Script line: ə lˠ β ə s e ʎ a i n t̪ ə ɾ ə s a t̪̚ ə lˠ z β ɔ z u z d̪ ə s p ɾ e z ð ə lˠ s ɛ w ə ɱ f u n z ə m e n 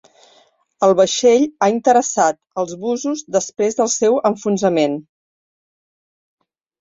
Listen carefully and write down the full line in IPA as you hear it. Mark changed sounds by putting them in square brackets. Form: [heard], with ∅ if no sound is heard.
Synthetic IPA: ə lˠ β ə [ʃ] e ʎ a i n t̪ ə ɾ ə s a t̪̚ ə lˠ z β [u] z u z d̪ ə s p ɾ e z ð ə lˠ s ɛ w ə ɱ f u n z ə m e n